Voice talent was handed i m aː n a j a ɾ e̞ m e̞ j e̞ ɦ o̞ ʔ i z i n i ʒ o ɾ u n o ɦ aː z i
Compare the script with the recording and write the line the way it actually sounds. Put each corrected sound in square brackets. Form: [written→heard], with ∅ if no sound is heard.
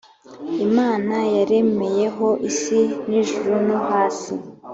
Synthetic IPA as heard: i m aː n a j a ɾ e̞ m e̞ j e̞ ɦ o̞ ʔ i [z→s] i n i ʒ [o→u] ɾ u n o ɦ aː [z→s] i